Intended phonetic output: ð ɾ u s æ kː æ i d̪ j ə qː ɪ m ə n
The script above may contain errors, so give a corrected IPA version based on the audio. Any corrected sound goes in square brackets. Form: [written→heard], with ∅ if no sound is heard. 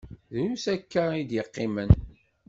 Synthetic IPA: ð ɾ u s æ kː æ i d̪ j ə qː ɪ m ə n